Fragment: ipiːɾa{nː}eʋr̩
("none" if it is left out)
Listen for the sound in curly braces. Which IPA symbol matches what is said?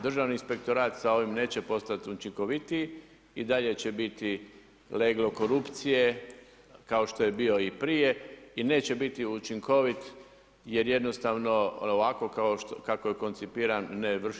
nː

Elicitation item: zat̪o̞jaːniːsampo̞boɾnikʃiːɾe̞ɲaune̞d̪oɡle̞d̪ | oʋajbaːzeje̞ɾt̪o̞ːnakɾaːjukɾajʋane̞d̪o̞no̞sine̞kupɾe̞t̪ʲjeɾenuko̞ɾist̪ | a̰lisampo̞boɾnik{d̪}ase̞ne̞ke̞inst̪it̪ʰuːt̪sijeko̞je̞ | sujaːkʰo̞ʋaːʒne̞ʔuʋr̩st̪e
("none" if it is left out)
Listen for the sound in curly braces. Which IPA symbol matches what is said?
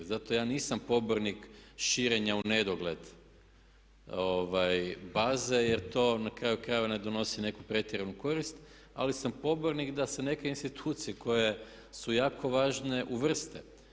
d̪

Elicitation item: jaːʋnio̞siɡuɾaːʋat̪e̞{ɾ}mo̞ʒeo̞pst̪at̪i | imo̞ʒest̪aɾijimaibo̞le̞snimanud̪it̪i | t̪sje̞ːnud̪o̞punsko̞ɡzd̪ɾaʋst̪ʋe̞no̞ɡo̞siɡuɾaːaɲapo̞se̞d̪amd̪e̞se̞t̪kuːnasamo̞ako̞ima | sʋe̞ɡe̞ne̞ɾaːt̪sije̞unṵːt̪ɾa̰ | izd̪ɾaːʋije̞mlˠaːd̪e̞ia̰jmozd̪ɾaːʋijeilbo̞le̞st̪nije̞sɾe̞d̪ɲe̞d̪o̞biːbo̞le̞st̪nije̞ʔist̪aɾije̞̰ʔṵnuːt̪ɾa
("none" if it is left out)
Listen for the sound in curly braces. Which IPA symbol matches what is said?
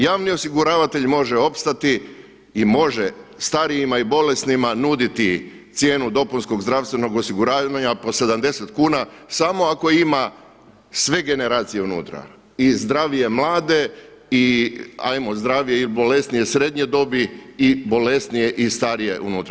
ʎ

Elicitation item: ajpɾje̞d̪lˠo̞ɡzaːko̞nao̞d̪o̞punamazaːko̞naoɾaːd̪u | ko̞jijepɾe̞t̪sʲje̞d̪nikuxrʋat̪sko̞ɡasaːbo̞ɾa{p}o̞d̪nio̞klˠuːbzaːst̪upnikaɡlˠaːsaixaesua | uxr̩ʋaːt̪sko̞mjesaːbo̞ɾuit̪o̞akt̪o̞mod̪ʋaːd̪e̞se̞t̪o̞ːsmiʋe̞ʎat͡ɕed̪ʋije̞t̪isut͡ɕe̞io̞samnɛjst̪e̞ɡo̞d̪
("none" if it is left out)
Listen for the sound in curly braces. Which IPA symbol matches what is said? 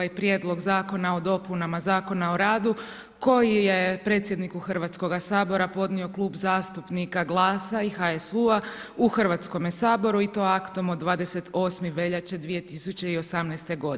p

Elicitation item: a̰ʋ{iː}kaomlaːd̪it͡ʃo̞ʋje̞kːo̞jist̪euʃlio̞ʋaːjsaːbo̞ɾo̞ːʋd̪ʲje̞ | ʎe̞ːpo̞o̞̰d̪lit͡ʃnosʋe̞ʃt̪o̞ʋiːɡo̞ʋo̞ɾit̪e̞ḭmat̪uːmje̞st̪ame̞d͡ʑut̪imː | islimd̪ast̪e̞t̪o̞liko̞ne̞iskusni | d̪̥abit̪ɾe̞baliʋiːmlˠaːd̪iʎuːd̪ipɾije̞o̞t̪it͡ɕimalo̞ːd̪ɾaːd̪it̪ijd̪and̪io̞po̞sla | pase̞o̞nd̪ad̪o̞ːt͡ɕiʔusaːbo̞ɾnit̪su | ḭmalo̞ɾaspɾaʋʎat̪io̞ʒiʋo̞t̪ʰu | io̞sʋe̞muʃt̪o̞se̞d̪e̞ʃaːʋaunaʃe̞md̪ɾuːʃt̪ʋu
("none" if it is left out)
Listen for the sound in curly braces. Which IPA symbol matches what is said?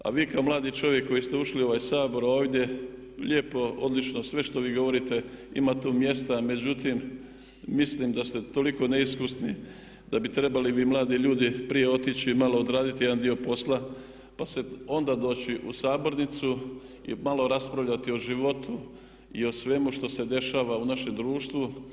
iː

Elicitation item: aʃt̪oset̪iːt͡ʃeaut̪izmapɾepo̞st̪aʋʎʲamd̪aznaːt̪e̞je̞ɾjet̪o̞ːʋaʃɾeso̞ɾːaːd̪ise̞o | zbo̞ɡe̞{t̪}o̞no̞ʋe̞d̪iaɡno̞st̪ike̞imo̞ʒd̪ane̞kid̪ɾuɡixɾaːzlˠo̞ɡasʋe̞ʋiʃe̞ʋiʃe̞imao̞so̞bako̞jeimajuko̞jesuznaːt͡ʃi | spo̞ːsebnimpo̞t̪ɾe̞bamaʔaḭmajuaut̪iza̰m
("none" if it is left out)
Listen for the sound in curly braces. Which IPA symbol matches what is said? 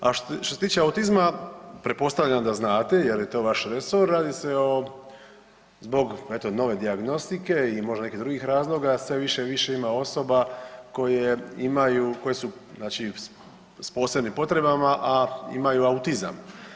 t̪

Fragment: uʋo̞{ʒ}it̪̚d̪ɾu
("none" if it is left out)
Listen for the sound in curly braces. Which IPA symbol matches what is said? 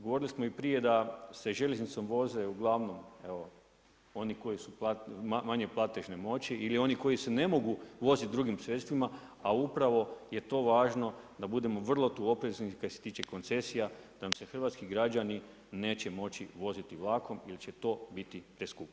z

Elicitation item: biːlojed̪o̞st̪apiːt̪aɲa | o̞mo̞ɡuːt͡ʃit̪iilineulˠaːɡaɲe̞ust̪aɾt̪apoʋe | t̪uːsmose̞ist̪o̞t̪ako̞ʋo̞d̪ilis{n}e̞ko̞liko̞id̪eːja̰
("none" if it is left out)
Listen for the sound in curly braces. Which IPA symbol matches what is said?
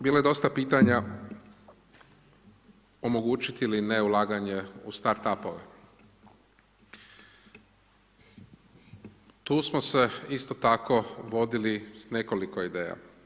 n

